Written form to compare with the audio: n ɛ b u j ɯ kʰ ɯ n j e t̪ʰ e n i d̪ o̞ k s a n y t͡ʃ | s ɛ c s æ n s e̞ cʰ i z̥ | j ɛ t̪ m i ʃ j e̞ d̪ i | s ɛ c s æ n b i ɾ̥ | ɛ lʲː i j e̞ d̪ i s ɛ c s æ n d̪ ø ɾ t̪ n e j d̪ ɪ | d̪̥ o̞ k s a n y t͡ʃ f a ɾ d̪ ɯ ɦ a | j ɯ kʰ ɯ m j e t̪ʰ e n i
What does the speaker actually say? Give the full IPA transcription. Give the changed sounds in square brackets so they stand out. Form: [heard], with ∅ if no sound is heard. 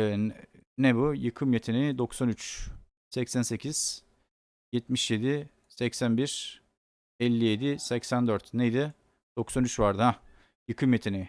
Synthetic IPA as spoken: n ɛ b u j ɯ kʰ ɯ [m] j e t̪ʰ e n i d̪ o̞ k s a n y t͡ʃ | s ɛ c s æ n s e̞ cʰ i z̥ | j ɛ t̪ m i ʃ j e̞ d̪ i | s ɛ c s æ n b i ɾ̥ | ɛ lʲː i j e̞ d̪ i s ɛ c s æ n d̪ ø ɾ t̪ n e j d̪ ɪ | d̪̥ o̞ k s a n y t͡ʃ [v] a ɾ d̪ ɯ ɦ a | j ɯ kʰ ɯ m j e t̪ʰ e n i